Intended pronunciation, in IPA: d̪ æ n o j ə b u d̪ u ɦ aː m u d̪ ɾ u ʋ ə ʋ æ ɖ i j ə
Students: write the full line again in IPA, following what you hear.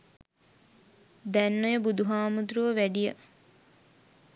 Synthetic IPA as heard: d̪ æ nː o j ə b u d̪ u ɦ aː m u d̪ ɾ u ʋ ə ʋ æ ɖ i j ə